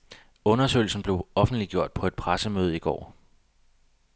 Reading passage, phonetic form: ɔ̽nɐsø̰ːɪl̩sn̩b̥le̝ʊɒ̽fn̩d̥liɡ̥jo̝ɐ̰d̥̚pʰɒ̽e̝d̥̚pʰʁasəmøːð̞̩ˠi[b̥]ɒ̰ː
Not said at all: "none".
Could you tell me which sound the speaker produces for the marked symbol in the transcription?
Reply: ɡ̥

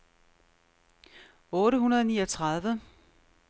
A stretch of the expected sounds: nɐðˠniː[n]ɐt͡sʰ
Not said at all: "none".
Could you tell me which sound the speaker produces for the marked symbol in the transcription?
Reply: none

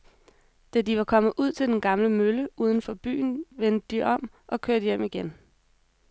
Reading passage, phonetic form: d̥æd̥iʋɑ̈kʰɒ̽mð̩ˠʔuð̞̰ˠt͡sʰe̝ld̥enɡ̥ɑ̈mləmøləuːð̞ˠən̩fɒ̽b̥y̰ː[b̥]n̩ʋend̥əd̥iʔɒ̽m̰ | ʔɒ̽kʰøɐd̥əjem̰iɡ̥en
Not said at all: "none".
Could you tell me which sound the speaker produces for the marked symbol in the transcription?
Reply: none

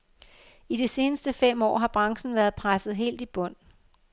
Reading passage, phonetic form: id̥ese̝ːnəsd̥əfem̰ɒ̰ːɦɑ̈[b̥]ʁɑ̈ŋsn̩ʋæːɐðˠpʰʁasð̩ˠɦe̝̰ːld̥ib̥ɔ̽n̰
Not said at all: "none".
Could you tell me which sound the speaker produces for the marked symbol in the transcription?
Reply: b̥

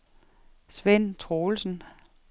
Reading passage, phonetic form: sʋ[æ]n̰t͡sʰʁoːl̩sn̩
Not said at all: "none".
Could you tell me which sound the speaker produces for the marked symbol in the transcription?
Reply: e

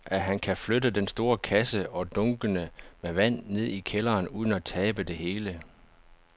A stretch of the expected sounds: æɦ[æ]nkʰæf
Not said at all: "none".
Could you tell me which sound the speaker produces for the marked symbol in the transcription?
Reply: æ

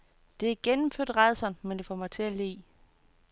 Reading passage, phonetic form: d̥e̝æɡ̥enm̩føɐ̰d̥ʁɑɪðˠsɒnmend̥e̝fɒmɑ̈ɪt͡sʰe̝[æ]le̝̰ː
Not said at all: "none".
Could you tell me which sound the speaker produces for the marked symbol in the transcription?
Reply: æ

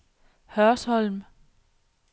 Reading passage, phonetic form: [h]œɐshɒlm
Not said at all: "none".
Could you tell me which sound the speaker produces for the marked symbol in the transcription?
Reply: h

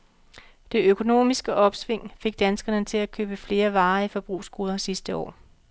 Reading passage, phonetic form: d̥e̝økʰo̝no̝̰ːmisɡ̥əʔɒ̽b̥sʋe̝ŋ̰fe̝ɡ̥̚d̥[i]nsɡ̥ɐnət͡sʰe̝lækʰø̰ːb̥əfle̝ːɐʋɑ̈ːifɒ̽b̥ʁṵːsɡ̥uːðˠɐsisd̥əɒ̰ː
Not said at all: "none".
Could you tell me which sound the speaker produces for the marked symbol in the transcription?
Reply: æ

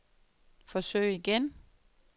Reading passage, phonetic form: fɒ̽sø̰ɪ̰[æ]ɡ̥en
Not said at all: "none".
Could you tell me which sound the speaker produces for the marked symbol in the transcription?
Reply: i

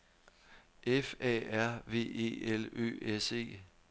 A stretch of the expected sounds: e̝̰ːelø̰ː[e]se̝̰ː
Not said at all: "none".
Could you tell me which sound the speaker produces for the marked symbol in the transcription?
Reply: e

